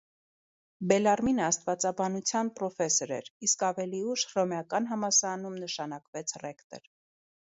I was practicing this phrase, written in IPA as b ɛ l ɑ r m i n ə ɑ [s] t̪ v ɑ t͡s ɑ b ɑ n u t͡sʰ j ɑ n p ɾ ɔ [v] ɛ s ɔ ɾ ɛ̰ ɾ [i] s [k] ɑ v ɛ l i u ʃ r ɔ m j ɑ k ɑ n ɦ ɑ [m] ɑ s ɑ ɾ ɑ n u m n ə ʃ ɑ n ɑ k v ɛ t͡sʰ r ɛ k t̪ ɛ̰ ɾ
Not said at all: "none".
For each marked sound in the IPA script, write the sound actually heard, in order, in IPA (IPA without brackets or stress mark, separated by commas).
s, f, i, k, m